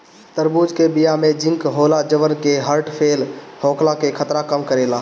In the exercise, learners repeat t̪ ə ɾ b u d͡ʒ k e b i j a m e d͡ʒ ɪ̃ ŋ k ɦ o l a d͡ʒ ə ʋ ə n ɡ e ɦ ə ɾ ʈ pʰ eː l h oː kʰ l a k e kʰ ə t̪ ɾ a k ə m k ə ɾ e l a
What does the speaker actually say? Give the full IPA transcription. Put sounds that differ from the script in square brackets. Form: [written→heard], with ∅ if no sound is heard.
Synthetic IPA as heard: t̪ ə ɾ b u d͡ʒ k e b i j a m e d͡ʒ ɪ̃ ŋ k ɦ o l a d͡ʒ ə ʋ ə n [ɡ→k] e ɦ ə ɾ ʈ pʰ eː l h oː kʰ l a k e kʰ ə t̪ ɾ a k ə m k ə ɾ e l a

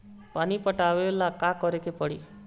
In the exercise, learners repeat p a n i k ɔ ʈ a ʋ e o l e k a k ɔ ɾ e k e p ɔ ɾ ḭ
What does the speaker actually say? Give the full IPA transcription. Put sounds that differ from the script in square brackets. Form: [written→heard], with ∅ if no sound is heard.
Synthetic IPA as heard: p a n i [k→p] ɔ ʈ a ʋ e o l [e→a] k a k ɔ ɾ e k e p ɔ [ɾ→ɽ] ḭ

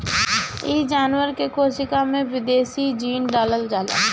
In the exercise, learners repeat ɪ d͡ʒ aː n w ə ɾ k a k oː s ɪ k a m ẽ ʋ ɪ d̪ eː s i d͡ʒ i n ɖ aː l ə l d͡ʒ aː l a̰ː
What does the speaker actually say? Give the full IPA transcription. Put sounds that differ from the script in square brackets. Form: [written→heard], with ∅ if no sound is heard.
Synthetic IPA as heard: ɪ d͡ʒ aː n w ə ɾ k [a→e] k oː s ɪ k a m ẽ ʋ ɪ d̪ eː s i d͡ʒ [i→iː] n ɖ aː l ə l d͡ʒ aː l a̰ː

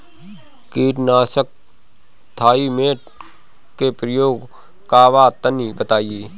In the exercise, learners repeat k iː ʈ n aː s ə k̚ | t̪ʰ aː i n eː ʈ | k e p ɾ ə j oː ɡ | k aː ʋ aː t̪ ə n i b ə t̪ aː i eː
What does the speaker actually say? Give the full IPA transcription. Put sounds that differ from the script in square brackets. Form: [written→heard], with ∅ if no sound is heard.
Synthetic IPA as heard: k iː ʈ n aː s ə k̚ | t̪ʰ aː i [n→m] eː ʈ | k e p ɾ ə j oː ɡ | k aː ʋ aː t̪ ə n i b ə t̪ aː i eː

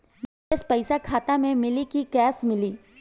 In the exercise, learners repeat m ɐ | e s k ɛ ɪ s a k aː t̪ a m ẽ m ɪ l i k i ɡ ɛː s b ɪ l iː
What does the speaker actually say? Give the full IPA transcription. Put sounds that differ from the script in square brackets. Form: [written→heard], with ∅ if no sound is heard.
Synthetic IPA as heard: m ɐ | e s [k→p] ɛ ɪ s a [k→kʰ] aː t̪ a m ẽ m ɪ l i k i [ɡ→k] ɛː s [b→m] ɪ l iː

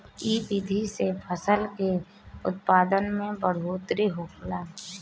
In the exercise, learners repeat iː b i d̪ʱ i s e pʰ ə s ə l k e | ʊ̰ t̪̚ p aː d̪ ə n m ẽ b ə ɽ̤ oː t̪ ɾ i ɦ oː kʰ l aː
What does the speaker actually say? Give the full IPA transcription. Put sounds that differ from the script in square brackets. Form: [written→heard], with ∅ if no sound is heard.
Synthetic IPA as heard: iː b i d̪ʱ i s e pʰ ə s ə l k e | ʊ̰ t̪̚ p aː d̪ ə n m ẽ b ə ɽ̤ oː t̪ ɾ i ɦ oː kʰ l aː

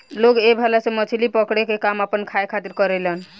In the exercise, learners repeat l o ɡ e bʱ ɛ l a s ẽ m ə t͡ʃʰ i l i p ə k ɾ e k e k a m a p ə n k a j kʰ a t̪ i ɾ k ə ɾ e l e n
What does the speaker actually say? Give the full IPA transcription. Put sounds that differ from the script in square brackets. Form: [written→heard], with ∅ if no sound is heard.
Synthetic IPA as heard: l o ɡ e bʱ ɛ l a s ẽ m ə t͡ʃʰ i l i p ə k [ɾ→ɽ] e k e k a m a p ə n [k→kʰ] a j kʰ a t̪ i ɾ k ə ɾ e l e n

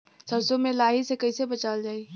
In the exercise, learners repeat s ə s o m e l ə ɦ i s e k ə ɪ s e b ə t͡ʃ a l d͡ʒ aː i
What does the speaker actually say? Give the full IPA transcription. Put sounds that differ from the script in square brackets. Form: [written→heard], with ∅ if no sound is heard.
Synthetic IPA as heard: s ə s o m e l [ə→a] ɦ i s e k ə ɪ s e b ə t͡ʃ a l d͡ʒ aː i

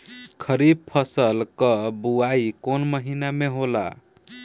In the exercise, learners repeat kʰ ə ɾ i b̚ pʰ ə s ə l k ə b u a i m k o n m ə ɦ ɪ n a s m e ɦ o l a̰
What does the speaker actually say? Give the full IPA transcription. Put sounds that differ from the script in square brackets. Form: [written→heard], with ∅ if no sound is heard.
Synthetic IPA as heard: kʰ ə ɾ i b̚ pʰ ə s ə l k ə b u a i [m→∅] k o n m ə ɦ [ɪ→i] n a [s→∅] m e ɦ o l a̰

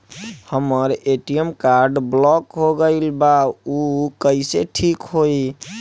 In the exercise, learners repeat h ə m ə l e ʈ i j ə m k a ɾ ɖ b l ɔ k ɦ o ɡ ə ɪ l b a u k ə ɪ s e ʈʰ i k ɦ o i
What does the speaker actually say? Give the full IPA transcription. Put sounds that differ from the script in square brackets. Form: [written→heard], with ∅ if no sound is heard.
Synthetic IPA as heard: h ə m ə [l→ɾ] e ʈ i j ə m k a ɾ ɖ b l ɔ k ɦ o ɡ ə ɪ l b a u k ə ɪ s e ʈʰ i k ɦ o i

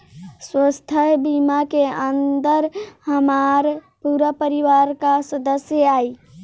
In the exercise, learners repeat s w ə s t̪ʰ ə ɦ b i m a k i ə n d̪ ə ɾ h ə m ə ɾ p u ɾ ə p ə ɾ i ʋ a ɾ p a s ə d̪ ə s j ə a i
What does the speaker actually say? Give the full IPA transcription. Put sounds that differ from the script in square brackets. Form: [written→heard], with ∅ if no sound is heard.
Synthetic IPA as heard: s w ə s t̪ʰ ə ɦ b i m a k [i→e] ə n d̪ ə ɾ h ə m [ə→a] ɾ p u ɾ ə p ə ɾ i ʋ a ɾ [p→k] a s ə d̪ ə s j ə a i

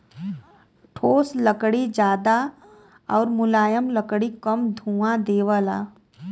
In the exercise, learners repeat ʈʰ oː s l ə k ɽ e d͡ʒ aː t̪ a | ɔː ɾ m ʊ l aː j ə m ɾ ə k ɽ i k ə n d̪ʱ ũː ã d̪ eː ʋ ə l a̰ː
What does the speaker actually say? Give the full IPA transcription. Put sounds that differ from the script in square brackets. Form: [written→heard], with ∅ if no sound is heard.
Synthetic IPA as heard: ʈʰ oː s l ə k ɽ [e→i] d͡ʒ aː [t̪→d̪] a | ɔː ɾ m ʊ l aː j ə m [ɾ→l] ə k ɽ i k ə [n→m] d̪ʱ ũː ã d̪ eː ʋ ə l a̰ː

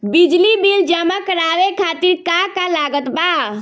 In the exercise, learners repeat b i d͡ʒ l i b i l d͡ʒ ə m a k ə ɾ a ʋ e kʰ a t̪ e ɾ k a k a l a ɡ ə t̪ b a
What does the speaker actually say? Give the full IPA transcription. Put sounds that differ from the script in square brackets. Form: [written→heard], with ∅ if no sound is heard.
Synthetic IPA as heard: b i d͡ʒ l i b i l d͡ʒ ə m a k ə ɾ a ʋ e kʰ a t̪ [e→i] ɾ k a k a l a ɡ ə t̪ b a

